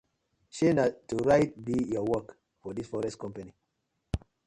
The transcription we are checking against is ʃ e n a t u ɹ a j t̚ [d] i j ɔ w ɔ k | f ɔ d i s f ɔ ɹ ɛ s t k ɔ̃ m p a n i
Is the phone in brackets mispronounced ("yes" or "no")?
yes